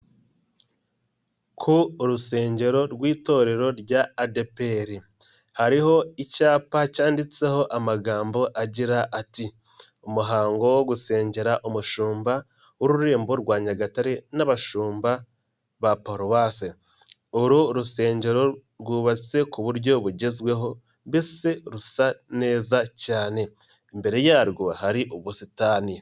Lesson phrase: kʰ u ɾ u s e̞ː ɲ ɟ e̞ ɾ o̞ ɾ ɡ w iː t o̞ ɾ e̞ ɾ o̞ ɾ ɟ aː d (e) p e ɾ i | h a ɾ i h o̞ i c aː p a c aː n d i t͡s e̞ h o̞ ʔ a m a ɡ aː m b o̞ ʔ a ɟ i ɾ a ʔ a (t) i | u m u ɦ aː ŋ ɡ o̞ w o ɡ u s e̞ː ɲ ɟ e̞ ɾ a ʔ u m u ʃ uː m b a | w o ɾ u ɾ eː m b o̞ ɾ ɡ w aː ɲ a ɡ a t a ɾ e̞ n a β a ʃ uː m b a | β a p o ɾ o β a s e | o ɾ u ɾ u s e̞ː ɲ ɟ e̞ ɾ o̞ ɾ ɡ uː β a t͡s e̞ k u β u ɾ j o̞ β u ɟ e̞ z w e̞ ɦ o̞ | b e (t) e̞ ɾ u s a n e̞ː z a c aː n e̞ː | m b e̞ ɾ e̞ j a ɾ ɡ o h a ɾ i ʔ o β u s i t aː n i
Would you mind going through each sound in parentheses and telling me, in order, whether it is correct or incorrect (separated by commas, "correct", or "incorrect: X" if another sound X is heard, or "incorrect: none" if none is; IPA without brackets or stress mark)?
correct, correct, incorrect: s